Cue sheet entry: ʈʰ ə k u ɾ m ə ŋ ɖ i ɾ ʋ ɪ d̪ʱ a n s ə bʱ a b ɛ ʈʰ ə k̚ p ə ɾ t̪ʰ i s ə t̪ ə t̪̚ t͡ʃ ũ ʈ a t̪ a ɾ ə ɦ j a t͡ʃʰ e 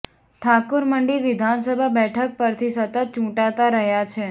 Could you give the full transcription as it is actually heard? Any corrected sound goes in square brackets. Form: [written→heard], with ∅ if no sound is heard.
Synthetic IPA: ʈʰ [ə→a] k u ɾ m ə [ŋ→ɳ] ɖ i ɾ ʋ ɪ d̪ʱ a n s ə bʱ a b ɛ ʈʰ ə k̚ p ə ɾ t̪ʰ i s ə t̪ ə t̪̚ t͡ʃ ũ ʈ a t̪ a ɾ ə ɦ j a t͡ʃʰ e